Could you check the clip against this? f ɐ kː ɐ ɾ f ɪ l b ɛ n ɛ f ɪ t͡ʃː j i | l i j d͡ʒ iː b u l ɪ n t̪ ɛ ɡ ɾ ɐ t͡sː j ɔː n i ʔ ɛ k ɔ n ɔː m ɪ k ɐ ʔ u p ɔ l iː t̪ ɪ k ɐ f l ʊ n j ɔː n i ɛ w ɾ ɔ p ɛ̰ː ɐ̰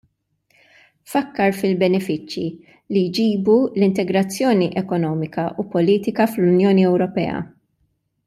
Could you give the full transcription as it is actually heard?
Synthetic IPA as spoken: f ɐ kː ɐ ɾ f ɪ l b ɛ n ɛ f ɪ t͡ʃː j i | l i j d͡ʒ iː b u l ɪ n t̪ ɛ ɡ ɾ ɐ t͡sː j ɔː n i ʔ ɛ k ɔ n ɔː m ɪ k ɐ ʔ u p ɔ l iː t̪ ɪ k ɐ f l ʊ n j ɔː n i ɛ w ɾ ɔ p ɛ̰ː ɐ̰

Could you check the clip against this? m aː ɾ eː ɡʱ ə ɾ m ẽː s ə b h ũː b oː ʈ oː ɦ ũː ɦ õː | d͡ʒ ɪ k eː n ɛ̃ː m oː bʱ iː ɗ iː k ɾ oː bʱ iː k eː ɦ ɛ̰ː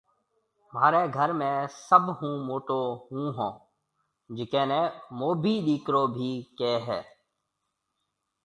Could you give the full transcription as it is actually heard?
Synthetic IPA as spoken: m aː ɾ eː ɡʱ ə ɾ m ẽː s ə b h ũː m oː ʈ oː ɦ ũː ɦ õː | d͡ʒ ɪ k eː n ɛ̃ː m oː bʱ iː ɗ iː k ɾ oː bʱ iː k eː ɦ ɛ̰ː

